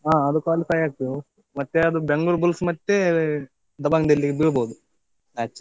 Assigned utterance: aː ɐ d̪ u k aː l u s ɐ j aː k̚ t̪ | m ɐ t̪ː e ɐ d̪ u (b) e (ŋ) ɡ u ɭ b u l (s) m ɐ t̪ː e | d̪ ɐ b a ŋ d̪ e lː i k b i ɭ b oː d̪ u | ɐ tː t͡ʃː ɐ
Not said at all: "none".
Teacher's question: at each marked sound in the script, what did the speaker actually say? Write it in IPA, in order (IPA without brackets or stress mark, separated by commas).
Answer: b, ŋ, s